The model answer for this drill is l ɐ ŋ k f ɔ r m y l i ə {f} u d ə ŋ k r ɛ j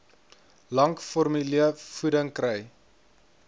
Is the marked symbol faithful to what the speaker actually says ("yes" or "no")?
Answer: yes